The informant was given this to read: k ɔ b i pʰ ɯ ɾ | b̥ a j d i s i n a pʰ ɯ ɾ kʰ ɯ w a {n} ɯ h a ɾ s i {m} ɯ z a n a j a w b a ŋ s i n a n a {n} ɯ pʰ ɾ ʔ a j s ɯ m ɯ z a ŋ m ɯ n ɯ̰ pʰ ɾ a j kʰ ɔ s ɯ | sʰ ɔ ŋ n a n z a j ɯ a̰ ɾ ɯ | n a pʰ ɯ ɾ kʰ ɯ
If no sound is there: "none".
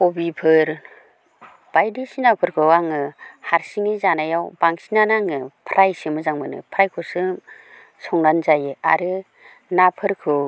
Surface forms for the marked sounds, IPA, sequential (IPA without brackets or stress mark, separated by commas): ŋ, ŋ, ŋ